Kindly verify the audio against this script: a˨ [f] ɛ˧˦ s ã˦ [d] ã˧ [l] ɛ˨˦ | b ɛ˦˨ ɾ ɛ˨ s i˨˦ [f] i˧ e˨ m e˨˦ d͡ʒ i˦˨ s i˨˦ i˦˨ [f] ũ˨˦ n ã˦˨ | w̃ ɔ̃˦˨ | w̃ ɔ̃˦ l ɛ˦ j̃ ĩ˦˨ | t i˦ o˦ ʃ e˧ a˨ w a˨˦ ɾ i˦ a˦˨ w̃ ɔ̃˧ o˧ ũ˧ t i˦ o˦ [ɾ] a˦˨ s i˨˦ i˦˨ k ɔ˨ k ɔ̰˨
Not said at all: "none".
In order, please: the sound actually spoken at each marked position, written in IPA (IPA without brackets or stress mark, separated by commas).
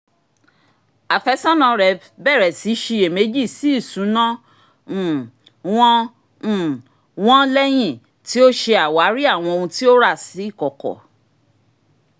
f, n, ɾ, ʃ, s, ɾ